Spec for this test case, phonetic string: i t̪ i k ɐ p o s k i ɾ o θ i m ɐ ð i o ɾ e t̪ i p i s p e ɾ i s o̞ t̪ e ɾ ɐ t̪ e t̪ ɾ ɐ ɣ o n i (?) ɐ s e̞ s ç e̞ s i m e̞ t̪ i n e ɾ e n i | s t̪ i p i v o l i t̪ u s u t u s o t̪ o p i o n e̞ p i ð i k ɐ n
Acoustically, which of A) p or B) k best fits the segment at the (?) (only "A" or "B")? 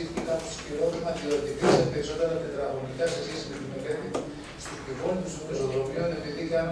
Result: B